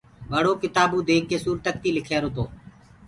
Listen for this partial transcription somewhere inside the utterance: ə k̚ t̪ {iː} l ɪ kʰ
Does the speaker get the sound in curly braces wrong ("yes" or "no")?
no